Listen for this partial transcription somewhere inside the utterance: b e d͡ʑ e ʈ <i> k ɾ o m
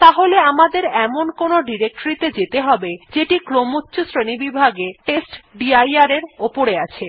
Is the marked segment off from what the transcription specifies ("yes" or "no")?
no